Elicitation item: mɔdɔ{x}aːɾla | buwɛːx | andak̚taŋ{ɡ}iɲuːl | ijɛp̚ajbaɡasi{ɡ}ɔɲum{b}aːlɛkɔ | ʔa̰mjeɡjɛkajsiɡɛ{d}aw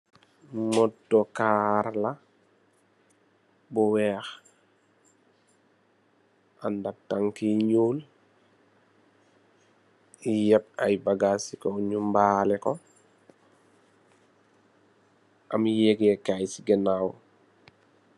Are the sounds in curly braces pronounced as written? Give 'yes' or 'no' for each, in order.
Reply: no, no, no, yes, no

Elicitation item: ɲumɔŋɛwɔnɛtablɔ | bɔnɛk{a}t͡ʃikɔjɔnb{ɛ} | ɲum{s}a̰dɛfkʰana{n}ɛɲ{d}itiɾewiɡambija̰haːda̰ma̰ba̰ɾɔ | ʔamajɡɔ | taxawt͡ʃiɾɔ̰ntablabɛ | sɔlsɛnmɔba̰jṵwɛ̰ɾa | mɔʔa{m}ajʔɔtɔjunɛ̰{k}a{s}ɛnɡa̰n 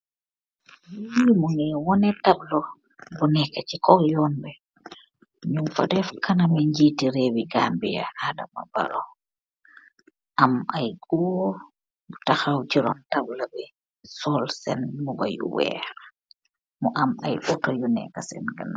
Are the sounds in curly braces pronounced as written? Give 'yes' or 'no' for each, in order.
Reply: yes, yes, no, no, no, yes, yes, yes

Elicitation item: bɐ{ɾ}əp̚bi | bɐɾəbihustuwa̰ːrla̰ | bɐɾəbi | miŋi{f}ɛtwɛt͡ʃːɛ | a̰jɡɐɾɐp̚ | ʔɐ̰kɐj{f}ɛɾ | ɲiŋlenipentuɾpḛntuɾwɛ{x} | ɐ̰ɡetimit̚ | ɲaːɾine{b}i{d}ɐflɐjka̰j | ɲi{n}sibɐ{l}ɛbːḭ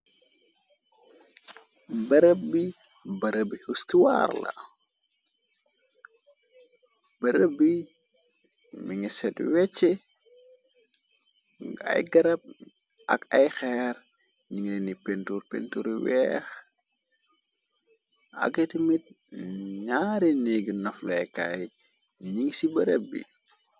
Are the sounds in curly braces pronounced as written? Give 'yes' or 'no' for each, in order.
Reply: yes, no, no, yes, no, no, no, no

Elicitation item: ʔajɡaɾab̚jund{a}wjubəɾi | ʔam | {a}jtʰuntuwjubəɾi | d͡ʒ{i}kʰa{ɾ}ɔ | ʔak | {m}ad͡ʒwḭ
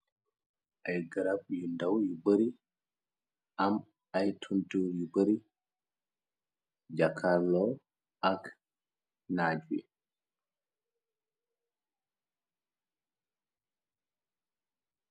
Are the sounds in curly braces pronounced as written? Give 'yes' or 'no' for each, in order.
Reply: yes, yes, no, no, no

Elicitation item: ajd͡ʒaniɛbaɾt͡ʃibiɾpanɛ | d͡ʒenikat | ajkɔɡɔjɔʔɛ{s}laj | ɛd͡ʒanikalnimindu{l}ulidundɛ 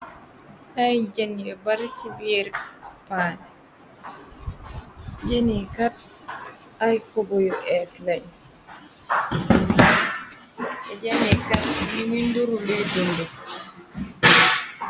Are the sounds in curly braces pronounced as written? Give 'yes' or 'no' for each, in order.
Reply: yes, no

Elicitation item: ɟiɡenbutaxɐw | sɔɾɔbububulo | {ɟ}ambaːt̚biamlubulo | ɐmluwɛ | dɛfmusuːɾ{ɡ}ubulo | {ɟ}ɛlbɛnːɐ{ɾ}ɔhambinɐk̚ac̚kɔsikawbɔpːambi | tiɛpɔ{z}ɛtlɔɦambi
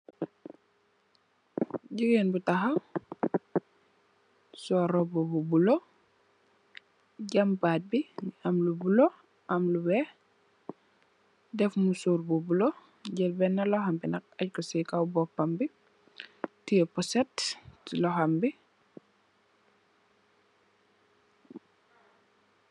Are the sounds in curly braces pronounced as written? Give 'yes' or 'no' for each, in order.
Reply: yes, no, yes, no, no

